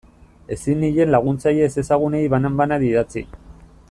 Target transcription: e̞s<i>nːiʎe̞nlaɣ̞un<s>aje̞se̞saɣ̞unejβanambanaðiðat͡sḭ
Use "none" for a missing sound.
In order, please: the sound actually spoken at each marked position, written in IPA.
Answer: i, t͡s

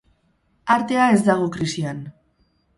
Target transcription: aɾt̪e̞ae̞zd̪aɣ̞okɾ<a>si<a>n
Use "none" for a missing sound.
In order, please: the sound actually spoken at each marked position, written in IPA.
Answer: i, a

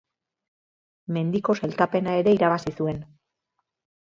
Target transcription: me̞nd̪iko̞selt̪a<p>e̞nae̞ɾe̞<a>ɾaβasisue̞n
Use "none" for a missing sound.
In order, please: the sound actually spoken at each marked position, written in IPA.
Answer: p, i

